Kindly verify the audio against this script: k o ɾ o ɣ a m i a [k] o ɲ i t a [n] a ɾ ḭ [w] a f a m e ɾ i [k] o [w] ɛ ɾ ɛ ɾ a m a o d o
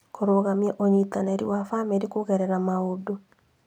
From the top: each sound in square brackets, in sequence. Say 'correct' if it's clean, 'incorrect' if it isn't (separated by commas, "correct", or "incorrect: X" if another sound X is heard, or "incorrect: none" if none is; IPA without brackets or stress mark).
incorrect: ʔ, correct, correct, correct, incorrect: ɣ